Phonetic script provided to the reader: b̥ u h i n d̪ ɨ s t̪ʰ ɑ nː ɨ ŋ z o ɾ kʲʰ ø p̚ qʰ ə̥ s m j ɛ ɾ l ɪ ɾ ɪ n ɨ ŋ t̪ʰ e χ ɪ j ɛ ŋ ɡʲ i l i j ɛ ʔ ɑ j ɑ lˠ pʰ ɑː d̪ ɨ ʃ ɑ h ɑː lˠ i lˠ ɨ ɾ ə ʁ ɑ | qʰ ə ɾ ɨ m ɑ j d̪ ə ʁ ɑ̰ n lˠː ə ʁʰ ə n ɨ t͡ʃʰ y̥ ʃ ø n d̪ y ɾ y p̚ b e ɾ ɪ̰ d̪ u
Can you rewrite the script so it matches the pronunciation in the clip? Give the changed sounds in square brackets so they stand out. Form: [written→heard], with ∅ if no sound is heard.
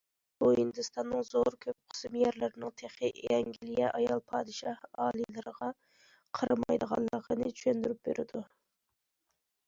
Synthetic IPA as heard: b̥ u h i n d̪ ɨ s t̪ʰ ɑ nː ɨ ŋ z o ɾ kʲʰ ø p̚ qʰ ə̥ s m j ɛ ɾ l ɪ ɾ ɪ n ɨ ŋ t̪ʰ e χ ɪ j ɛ ŋ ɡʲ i l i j ɛ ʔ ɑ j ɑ lˠ pʰ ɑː d̪ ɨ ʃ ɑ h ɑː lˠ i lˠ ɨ ɾ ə ʁ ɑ | qʰ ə ɾ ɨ m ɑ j d̪ ə ʁ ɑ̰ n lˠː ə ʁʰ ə n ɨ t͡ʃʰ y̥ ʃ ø n d̪ y ɾ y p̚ b e ɾ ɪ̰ d̪ u

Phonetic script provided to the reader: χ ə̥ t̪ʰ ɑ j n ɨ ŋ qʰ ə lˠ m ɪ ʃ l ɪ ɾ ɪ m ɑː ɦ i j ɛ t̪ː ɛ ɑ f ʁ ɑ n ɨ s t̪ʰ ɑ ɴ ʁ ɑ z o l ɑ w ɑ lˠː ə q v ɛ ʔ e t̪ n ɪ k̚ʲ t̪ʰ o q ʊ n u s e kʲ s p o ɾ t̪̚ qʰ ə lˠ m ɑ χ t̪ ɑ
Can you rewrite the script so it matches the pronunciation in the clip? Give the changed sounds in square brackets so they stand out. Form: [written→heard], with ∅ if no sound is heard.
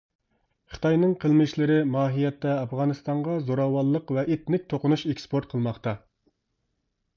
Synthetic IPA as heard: χ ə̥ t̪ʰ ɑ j n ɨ ŋ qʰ ə lˠ m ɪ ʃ l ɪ ɾ ɪ m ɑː ɦ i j ɛ t̪ː ɛ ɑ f ʁ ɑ n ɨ s [t̪ʰ→t̪] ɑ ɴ ʁ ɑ z o [l→ɾ] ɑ w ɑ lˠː ə q v ɛ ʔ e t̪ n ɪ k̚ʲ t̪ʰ o q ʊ n u [s→ʃ] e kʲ s p o ɾ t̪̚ qʰ ə lˠ m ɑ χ t̪ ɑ

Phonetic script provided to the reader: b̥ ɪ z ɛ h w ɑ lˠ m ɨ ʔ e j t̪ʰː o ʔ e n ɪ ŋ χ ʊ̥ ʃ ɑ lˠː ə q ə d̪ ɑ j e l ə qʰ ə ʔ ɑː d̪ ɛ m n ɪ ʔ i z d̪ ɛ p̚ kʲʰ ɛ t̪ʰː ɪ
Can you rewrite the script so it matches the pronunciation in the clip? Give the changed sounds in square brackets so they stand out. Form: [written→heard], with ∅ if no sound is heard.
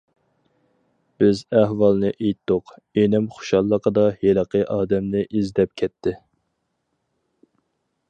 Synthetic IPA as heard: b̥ ɪ z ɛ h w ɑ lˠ [m→n] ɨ ʔ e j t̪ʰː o [ʔ→q] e n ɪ [ŋ→m] χ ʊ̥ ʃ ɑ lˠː ə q ə d̪ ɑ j e l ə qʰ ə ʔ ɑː d̪ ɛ m n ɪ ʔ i z d̪ ɛ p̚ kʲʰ ɛ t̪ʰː ɪ

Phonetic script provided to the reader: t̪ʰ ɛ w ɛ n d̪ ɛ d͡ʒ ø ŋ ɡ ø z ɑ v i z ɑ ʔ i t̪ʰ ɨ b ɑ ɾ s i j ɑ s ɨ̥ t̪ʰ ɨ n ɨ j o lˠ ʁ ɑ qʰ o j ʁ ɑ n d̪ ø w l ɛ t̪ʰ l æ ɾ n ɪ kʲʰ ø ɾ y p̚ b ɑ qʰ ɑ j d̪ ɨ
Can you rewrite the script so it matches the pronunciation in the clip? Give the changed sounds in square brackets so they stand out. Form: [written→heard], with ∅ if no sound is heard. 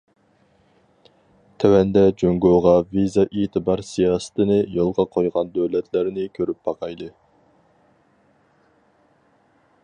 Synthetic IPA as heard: t̪ʰ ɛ w ɛ n d̪ ɛ d͡ʒ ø ŋ ɡ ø [z→ʁ] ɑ v i z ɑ ʔ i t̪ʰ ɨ b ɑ ɾ s i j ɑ s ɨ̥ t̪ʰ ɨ n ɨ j o lˠ ʁ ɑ qʰ o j ʁ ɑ n d̪ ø w l ɛ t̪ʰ l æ ɾ n ɪ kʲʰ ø ɾ y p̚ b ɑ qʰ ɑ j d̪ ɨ

